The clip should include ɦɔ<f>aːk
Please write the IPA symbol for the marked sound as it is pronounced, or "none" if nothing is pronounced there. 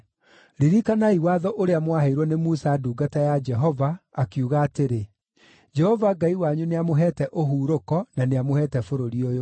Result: v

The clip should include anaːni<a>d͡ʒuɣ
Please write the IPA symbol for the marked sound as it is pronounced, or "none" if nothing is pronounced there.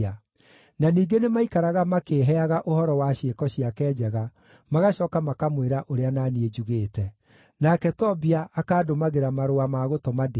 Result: e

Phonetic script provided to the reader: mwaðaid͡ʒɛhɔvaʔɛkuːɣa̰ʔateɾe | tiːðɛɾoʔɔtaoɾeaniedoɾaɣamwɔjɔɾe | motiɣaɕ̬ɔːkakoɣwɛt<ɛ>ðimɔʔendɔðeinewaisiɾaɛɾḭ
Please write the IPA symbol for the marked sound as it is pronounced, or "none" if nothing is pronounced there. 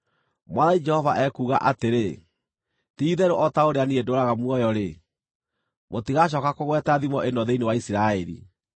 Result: a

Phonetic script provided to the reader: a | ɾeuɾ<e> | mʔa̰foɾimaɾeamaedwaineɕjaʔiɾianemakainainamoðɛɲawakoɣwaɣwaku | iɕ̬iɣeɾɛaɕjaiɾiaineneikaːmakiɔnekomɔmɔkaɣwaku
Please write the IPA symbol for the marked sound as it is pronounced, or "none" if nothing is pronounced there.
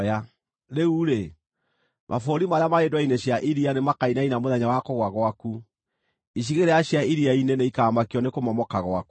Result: e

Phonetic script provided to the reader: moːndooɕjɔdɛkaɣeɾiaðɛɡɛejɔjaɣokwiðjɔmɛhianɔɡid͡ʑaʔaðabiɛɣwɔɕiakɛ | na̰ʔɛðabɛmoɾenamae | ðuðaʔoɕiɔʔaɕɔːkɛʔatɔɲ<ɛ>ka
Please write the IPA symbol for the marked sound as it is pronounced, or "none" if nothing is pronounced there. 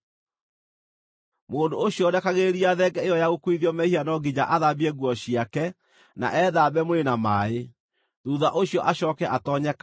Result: ɛ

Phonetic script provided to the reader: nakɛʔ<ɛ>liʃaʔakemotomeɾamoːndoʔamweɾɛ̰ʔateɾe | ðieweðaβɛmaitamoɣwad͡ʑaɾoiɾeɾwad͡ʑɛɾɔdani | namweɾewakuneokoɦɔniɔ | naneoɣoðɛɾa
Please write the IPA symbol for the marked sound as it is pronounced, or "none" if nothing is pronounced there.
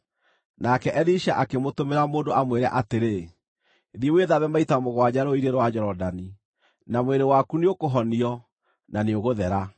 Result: ɛ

